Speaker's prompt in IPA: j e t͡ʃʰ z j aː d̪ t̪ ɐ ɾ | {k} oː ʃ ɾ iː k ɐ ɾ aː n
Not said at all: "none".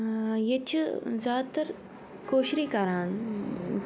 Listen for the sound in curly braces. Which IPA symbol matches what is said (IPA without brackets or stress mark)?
k